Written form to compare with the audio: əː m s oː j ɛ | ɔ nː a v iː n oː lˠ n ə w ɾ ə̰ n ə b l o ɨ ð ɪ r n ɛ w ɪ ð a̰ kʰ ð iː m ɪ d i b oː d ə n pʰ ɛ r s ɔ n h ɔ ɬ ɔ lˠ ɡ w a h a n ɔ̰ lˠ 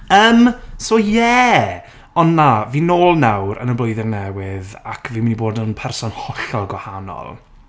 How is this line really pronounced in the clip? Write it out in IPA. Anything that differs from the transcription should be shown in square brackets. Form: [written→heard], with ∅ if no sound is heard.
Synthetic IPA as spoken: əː m s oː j ɛ | ɔ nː a v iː n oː lˠ n [ə→a] w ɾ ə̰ n ə b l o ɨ ð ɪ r n ɛ w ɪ ð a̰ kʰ [ð→v] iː m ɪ [d→n] i b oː d ə n pʰ ɛ r s ɔ n h ɔ ɬ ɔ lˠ ɡ w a h a n ɔ̰ lˠ